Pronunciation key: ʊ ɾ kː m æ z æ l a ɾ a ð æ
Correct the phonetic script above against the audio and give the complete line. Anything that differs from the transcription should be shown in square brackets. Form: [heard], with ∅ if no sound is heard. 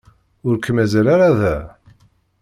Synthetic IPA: ʊ ɾ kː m æ z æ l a ɾ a ð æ